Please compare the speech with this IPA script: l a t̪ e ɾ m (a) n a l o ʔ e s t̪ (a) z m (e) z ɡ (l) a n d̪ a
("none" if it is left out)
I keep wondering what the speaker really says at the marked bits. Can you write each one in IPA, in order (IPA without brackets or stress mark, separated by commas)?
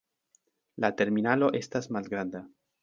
i, a, a, ɾ